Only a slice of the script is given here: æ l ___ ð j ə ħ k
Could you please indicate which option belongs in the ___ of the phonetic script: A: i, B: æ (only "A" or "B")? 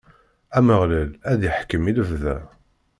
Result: B